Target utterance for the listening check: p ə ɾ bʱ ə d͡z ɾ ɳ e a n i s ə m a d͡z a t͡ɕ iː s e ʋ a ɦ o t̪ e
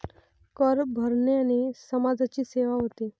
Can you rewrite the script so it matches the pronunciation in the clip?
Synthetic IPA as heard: k ə ɾ bʱ ə ɾ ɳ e a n i s ə m a d͡z a t͡ɕ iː s e ʋ a ɦ o t̪ e